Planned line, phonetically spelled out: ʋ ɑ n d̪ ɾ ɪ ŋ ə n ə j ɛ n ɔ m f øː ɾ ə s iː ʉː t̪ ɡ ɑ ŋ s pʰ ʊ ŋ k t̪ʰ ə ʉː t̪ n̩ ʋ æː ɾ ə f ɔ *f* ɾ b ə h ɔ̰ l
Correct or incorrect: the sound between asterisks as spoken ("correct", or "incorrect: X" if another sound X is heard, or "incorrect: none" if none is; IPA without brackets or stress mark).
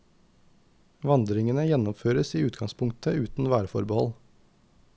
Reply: incorrect: none